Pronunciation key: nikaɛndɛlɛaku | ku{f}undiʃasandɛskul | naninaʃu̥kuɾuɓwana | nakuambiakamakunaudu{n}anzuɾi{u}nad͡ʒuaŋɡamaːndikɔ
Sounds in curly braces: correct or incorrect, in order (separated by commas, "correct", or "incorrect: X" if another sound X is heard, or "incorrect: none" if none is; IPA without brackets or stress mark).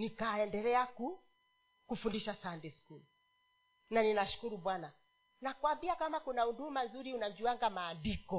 correct, incorrect: m, correct